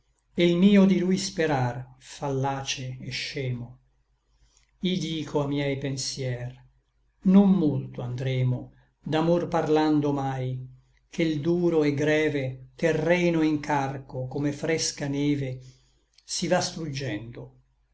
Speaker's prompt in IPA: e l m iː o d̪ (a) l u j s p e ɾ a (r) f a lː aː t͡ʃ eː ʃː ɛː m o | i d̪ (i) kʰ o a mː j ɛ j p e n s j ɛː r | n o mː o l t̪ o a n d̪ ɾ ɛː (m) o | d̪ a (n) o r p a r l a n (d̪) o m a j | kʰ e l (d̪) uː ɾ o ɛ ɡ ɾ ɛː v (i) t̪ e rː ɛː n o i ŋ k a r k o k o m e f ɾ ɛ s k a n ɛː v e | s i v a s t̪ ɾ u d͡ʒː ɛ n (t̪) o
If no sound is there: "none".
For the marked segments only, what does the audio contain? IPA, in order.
i, r, iː, m, m, d̪, d̪, e, d̪

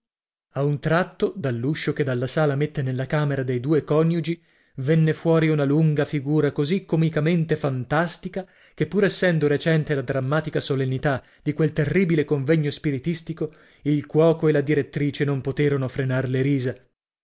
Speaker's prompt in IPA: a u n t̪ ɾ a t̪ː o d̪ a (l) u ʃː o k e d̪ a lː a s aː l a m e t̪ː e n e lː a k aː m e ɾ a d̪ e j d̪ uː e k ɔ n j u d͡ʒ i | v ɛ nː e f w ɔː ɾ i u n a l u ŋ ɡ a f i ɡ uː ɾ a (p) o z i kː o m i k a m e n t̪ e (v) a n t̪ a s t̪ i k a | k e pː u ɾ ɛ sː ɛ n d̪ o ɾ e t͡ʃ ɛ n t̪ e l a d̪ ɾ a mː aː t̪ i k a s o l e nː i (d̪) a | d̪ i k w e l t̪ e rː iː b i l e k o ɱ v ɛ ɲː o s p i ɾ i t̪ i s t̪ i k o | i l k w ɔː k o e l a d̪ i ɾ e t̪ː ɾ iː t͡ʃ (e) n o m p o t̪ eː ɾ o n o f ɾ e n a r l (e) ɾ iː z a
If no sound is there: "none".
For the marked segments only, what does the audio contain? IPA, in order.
lː, k, f, t̪, e, e

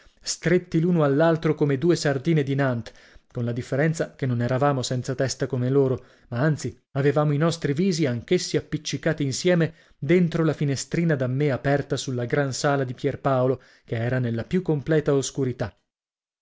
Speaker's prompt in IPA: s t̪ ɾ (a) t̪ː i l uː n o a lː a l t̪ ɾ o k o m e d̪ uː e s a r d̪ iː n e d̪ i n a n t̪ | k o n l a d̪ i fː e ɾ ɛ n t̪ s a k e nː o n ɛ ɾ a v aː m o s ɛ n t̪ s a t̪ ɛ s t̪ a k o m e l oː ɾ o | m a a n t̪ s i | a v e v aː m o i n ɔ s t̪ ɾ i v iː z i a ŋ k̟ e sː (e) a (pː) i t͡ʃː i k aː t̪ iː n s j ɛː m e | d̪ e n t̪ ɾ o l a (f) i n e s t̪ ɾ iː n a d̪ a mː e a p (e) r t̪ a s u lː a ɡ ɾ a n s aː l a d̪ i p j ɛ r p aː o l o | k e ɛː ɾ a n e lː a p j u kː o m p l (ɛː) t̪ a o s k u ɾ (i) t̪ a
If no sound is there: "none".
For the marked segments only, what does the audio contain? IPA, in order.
e, i, pː, f, ɛ, ɛː, i

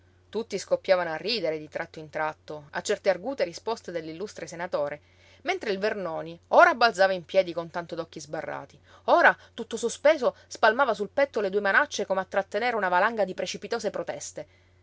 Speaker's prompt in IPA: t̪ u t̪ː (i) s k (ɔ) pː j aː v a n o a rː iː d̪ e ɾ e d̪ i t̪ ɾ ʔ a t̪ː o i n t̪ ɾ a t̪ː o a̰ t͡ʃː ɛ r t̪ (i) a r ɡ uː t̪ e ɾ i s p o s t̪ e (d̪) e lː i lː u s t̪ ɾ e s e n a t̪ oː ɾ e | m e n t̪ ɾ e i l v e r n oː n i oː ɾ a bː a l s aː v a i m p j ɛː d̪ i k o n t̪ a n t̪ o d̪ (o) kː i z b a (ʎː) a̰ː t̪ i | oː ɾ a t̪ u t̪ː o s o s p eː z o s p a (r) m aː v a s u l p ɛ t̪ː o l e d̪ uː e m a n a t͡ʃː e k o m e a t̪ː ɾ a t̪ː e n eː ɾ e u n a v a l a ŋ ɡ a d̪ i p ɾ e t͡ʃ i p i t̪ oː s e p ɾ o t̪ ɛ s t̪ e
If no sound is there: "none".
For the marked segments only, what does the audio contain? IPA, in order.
i, o, e, d̪, ɔ, rː, l

